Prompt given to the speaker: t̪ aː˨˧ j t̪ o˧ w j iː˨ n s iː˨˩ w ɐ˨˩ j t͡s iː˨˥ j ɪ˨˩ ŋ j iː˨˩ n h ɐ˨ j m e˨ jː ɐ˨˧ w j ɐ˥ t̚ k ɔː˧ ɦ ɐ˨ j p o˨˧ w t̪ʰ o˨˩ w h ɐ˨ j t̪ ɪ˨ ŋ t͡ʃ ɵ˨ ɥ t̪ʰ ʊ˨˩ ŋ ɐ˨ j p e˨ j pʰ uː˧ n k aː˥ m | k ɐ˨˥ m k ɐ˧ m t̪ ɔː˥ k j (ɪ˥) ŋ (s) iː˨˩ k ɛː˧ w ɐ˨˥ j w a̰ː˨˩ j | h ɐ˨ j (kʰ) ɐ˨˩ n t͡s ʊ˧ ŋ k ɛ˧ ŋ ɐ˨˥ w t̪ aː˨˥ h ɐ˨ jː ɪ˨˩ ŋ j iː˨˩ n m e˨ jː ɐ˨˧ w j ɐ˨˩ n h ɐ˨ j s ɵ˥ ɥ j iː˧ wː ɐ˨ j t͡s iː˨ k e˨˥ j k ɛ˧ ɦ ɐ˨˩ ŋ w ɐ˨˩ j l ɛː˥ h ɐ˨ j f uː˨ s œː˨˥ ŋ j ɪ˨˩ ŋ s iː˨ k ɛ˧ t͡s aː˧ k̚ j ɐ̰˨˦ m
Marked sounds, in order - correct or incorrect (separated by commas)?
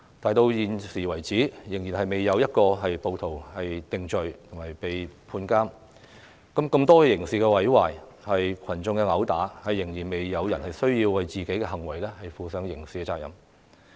incorrect, correct, correct